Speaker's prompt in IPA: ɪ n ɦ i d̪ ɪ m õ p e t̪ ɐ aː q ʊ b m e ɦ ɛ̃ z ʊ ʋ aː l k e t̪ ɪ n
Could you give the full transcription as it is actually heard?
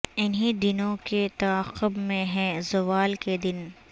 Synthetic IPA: ɪ n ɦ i d̪ ɪ n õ k e t̪ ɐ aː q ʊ b m ẽ ɦ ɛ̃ z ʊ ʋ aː l k e d̪ ɪ n